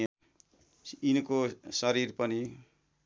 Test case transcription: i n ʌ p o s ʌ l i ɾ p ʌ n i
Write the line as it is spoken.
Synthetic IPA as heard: i n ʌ k o s ʌ ɾ i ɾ p ʌ n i